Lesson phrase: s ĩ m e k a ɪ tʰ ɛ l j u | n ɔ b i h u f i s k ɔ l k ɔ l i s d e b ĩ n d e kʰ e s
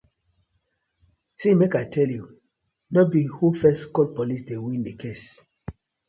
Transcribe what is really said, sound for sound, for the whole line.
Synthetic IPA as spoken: s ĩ m e k a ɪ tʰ ɛ l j u | n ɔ b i h u f ɛ s k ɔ l p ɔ l i s d e w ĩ n d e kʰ e s